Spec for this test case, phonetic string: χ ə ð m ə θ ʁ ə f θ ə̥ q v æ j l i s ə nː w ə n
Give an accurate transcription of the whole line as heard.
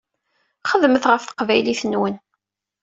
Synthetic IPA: χ ə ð m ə θ ʁ ə f θ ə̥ q v æ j l i θ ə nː w ə n